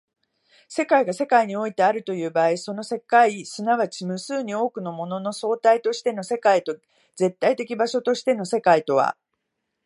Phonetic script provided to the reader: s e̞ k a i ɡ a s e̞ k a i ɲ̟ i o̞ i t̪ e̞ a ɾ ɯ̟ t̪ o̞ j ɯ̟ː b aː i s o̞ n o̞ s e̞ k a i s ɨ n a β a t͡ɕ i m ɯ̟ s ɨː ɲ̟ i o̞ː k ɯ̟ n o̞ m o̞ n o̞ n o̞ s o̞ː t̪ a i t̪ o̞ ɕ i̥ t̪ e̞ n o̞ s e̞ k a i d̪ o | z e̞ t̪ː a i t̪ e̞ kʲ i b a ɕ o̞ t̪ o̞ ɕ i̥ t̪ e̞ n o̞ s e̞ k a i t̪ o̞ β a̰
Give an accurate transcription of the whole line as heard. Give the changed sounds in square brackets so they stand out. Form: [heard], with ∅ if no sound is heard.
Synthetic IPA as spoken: s e̞ k a i ɡ a s e̞ k a i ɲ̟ i o̞ i t̪ e̞ a ɾ ɯ̟ t̪ o̞ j ɯ̟ː b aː i s o̞ n o̞ s e̞ k a i s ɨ n a β a t͡ɕ i m ɯ̟ s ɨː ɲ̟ i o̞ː k ɯ̟ n o̞ m o̞ n o̞ n o̞ s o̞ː t̪ a i t̪ o̞ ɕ i̥ t̪ e̞ n o̞ s e̞ k a i [t̪] o | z e̞ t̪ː a i t̪ e̞ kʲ i b a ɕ o̞ t̪ o̞ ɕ i̥ t̪ e̞ n o̞ s e̞ k a i t̪ o̞ β a̰